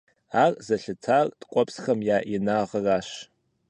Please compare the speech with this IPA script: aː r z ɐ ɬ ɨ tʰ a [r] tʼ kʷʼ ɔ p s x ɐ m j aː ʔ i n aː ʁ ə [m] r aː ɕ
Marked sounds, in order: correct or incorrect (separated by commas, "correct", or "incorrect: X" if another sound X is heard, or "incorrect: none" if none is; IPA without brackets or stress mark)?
correct, incorrect: none